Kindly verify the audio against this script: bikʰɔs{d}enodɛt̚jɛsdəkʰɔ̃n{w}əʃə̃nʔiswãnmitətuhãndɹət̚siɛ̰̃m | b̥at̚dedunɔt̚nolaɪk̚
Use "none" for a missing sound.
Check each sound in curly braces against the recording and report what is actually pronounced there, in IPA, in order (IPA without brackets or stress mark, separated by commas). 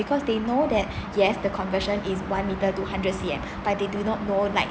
d, v